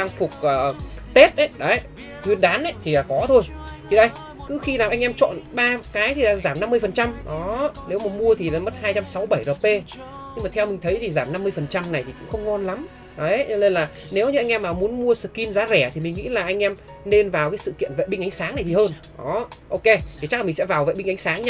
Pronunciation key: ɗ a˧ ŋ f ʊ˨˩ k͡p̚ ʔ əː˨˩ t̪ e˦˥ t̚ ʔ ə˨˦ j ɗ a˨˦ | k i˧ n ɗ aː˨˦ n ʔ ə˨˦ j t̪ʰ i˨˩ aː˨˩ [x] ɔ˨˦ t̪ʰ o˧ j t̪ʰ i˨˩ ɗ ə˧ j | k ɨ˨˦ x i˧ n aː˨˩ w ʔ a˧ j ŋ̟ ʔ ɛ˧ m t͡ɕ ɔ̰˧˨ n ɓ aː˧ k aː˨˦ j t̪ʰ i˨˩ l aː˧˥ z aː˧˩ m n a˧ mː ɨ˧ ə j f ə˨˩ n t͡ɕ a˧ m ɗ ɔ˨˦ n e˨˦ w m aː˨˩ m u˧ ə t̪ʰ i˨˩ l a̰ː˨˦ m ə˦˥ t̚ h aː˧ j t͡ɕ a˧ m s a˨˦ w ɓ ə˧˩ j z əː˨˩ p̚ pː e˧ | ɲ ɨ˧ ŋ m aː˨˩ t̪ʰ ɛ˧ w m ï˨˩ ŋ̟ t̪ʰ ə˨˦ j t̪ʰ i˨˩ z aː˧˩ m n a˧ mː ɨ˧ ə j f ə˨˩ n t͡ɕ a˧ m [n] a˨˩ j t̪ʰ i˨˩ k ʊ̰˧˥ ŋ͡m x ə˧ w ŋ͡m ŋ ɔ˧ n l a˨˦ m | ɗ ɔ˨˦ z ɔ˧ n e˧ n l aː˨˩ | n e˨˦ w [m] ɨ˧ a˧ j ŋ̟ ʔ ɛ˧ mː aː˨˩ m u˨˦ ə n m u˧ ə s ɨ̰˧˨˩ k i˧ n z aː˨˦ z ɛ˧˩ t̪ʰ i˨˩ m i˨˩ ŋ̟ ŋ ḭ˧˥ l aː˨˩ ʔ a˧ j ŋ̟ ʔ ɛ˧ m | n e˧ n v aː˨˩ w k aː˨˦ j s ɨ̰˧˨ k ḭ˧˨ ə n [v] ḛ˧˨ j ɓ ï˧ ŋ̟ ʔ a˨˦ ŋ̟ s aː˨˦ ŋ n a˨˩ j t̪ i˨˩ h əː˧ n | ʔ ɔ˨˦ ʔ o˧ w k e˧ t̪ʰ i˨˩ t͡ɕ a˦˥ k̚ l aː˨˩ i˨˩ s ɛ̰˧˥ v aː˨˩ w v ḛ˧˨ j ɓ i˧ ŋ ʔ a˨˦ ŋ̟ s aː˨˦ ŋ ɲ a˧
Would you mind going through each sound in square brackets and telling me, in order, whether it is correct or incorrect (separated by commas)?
incorrect, correct, incorrect, correct